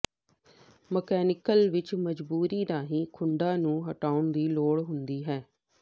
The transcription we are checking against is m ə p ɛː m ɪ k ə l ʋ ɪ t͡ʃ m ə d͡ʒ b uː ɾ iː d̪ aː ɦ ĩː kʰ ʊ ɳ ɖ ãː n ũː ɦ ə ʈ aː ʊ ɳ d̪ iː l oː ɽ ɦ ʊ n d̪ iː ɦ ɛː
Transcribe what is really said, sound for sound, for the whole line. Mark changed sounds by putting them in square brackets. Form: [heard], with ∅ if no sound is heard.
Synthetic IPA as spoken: m ə [k] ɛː [n] ɪ k ə l ʋ ɪ t͡ʃ m ə d͡ʒ b uː ɾ iː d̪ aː ɦ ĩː kʰ ʊ ɳ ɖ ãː n ũː ɦ ə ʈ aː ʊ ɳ d̪ iː l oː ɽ ɦ ʊ n d̪ iː ɦ ɛː